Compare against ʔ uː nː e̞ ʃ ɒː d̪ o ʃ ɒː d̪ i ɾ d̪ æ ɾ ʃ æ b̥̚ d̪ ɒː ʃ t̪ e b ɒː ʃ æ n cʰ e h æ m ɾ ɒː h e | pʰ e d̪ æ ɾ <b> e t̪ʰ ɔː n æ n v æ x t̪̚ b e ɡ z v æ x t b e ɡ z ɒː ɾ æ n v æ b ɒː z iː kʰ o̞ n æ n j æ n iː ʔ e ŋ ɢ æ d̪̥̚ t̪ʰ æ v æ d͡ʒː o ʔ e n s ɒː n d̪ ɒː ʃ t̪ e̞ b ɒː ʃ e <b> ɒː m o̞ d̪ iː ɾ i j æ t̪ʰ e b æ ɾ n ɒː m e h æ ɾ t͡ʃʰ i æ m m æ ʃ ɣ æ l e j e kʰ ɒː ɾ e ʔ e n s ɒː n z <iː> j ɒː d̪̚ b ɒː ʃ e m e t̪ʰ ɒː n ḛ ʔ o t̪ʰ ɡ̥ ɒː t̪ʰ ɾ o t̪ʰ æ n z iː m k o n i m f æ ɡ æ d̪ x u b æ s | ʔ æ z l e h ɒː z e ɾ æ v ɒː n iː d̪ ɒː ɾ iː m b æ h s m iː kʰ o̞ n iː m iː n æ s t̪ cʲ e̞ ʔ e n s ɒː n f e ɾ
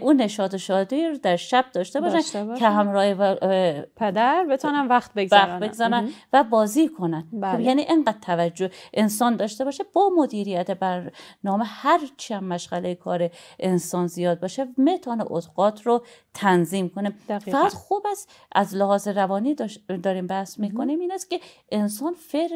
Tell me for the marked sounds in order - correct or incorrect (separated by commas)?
correct, correct, incorrect